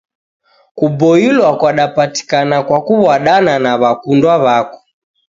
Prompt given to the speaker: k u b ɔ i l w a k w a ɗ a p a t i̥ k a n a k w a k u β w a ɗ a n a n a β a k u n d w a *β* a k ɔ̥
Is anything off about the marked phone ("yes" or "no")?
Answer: no